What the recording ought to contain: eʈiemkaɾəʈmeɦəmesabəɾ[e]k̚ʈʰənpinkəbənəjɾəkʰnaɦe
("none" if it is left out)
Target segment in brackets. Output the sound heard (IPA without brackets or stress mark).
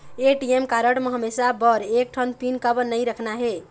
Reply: e